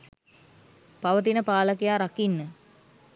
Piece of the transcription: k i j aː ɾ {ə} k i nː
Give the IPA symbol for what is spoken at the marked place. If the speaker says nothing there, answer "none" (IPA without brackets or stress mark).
a